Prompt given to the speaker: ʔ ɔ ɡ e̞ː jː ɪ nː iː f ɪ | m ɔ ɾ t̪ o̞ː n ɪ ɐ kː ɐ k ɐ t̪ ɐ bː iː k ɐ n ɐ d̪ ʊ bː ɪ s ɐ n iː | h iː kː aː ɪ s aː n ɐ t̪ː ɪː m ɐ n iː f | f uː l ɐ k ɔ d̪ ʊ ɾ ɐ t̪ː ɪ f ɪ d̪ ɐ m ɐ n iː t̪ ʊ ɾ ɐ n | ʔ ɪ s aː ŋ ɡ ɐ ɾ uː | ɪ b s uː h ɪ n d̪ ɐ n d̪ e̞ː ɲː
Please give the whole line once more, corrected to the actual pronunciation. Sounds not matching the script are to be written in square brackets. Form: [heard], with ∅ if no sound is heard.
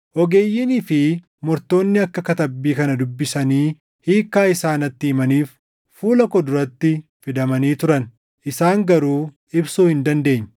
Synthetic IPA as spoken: ʔ ɔ ɡ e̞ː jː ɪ [n] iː f ɪ | m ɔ ɾ t̪ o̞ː [nː] ɪ ɐ kː ɐ k ɐ t̪ ɐ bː iː k ɐ n ɐ d̪ ʊ bː ɪ s ɐ n iː | h iː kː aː ɪ s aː n ɐ t̪ː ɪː m ɐ n iː f | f uː l ɐ k ɔ d̪ ʊ ɾ ɐ t̪ː ɪ f ɪ d̪ ɐ m ɐ n iː t̪ ʊ ɾ ɐ n | ʔ ɪ s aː ŋ ɡ ɐ ɾ uː | ɪ b s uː h ɪ n d̪ ɐ n d̪ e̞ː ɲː